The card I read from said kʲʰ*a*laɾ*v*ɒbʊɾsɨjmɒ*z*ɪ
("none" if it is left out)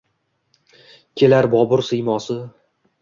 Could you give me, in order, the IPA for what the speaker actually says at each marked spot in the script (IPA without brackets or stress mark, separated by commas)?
e, b, s